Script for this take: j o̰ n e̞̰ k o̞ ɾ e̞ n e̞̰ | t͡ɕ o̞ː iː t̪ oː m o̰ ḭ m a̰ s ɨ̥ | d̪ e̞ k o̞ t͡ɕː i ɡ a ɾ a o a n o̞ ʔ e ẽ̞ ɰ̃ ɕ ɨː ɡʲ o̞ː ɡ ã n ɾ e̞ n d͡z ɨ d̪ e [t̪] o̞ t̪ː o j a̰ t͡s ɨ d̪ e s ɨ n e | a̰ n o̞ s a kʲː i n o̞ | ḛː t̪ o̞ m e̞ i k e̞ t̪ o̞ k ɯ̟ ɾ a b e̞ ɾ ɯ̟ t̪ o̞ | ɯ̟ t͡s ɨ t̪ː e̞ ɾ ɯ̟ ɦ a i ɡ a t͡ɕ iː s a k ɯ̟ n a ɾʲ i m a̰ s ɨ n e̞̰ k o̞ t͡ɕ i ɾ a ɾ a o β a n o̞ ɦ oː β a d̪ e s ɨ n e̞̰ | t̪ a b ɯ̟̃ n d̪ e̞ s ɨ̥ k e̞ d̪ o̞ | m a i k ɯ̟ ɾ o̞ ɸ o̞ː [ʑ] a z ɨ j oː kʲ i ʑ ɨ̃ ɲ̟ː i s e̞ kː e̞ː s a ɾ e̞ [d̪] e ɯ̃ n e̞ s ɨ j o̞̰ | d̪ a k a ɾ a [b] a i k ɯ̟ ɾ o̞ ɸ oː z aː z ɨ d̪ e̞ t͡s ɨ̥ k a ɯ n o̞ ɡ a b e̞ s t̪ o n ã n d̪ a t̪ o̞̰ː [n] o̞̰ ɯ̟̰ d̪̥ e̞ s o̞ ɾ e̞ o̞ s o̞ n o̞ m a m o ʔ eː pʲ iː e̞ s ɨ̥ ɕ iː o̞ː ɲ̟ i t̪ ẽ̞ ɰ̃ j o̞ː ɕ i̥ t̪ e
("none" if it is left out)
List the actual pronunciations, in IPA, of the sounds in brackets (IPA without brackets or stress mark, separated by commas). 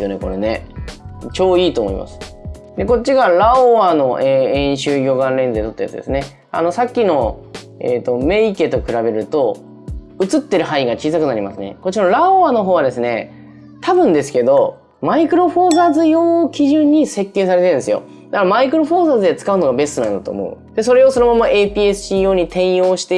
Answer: t̪, z, t̪, m, m